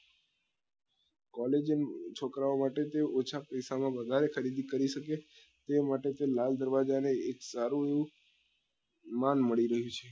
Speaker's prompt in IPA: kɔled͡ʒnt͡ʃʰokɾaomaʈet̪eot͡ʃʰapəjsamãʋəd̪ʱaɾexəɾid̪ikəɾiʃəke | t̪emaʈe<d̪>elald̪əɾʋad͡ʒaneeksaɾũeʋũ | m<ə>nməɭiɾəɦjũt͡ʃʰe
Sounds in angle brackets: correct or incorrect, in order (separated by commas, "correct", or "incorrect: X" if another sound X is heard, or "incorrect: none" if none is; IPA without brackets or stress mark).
incorrect: t̪, incorrect: a